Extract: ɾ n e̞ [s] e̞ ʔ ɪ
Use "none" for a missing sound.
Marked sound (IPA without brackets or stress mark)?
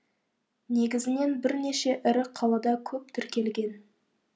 ʃ